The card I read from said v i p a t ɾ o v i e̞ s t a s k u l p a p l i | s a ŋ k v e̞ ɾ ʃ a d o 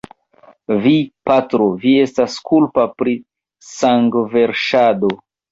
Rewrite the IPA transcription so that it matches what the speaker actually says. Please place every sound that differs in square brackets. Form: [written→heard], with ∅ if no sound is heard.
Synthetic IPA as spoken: v i p a t ɾ o v i e̞ s t a s k u l p a p [l→ɾ] i | s a ŋ [k→ɡ] v e̞ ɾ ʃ a d o